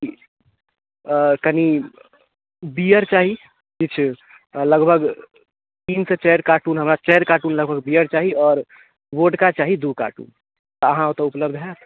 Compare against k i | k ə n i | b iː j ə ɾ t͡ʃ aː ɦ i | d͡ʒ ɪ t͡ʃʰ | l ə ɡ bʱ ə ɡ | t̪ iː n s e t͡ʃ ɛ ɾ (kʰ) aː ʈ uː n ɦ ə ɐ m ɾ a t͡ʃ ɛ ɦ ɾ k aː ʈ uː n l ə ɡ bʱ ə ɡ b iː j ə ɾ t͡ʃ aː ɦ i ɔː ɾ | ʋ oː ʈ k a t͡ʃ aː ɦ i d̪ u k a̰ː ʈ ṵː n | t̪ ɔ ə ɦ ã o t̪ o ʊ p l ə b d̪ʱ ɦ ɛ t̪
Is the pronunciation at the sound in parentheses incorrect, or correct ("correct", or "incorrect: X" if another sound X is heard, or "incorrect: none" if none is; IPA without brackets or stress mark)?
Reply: incorrect: k